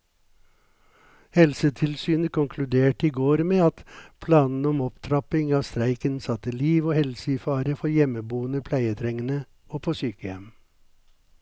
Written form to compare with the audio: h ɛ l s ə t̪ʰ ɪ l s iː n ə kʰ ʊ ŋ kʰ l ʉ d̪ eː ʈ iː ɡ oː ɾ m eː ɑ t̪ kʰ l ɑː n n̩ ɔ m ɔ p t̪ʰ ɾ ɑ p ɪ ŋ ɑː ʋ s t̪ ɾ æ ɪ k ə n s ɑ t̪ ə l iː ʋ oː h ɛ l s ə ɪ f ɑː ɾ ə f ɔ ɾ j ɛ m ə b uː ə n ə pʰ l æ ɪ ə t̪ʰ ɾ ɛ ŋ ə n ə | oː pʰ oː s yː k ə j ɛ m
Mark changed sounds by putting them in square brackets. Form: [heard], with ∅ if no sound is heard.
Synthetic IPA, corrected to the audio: h ɛ l s ə t̪ʰ ɪ l s [yː] n ə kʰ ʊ ŋ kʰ l ʉ d̪ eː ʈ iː ɡ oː ɾ m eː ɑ t̪ [pʰ] l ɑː n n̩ ɔ m ɔ p t̪ʰ ɾ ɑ p ɪ ŋ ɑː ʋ s t̪ ɾ æ ɪ k ə n s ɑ t̪ ə l iː ʋ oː h ɛ l s ə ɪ f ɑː ɾ ə f ɔ ɾ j ɛ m ə b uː ə n ə pʰ l æ ɪ ə t̪ʰ ɾ ɛ ŋ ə n ə | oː pʰ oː s yː k ə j ɛ m